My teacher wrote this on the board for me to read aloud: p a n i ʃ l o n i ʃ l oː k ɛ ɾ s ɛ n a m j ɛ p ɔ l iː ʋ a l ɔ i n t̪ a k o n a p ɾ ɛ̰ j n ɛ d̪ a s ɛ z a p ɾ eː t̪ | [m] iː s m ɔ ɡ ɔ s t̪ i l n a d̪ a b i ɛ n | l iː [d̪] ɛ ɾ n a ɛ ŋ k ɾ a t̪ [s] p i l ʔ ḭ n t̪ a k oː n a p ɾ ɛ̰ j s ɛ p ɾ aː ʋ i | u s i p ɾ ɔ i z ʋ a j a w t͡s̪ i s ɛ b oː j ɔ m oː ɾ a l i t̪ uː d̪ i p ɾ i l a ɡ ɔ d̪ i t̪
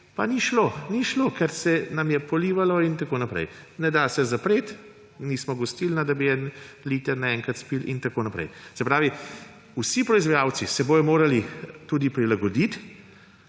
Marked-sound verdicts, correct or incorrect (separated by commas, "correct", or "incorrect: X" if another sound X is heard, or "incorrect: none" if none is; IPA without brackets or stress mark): incorrect: n, incorrect: t̪, correct